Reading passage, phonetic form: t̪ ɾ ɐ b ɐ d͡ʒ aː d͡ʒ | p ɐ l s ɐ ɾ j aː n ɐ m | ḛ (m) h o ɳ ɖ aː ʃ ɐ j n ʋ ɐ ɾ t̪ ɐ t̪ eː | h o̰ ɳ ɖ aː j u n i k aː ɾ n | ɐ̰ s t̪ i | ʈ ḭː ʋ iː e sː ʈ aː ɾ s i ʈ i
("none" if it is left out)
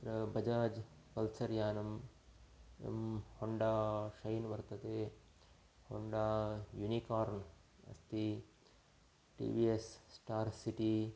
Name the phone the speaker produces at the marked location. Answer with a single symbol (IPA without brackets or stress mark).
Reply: m